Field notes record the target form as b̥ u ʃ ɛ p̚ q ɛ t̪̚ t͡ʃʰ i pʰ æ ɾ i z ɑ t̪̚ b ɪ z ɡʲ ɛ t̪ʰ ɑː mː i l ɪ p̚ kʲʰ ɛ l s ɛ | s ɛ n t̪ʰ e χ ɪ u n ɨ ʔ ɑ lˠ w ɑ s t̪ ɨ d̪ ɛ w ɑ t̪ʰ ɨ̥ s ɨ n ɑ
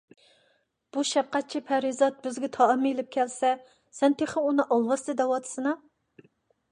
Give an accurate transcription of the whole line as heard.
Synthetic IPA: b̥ u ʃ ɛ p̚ q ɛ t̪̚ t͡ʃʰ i pʰ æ ɾ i z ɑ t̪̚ b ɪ z ɡʲ ɛ t̪ʰ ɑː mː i l ɪ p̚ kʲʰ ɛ l s ɛ | s ɛ n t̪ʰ e χ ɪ u n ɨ ʔ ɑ lˠ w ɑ s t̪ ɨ d̪ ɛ w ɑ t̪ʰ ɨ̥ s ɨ n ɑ